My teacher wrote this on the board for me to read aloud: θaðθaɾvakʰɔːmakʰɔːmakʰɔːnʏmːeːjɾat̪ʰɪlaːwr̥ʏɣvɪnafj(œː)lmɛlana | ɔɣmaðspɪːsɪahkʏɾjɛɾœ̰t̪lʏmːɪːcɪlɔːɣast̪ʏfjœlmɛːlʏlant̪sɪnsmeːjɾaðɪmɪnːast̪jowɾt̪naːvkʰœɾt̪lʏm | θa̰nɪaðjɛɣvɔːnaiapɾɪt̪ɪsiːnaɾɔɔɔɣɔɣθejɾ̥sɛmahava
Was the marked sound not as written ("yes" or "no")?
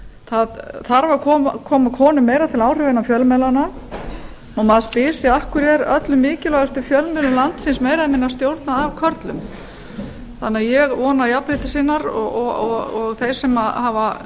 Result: yes